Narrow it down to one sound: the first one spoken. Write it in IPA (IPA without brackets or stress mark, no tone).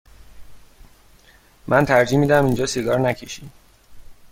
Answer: m